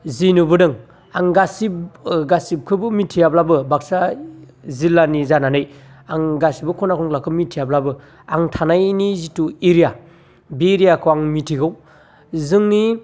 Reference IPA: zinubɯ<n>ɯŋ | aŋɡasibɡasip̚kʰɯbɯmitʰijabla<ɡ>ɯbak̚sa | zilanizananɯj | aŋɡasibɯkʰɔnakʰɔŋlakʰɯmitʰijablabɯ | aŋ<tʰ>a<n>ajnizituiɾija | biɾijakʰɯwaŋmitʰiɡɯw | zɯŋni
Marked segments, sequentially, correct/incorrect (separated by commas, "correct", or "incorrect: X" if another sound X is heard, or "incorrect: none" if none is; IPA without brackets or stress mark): incorrect: d, incorrect: b, correct, correct